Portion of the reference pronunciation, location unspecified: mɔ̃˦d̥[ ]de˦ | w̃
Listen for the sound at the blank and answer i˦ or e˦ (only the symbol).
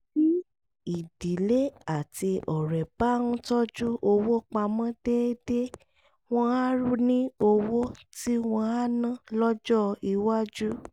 e˦